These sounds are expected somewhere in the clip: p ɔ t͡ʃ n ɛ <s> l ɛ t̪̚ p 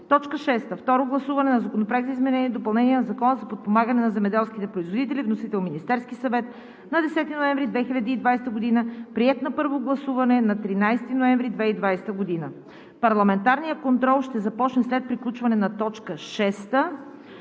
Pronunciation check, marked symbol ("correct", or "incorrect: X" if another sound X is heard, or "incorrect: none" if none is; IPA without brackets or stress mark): correct